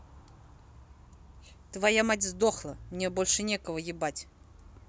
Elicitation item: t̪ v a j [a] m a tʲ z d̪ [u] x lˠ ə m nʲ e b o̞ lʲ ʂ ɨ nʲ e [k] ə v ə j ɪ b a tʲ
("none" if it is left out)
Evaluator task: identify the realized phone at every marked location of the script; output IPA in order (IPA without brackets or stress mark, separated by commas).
a, o, k